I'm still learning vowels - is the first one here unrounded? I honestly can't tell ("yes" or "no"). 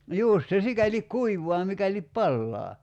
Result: no